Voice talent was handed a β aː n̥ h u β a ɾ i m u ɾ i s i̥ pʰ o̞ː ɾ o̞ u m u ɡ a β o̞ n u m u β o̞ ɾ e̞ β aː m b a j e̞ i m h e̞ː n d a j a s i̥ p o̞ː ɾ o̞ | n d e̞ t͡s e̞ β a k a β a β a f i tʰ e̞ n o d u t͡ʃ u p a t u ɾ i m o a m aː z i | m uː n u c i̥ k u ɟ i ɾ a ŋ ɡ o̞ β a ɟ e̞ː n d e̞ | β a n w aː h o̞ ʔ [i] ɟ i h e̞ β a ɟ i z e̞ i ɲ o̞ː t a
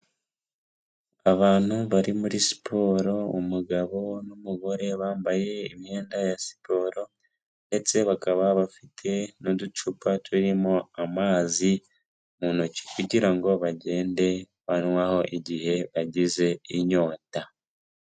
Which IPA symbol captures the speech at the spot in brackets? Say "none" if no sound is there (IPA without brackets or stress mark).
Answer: i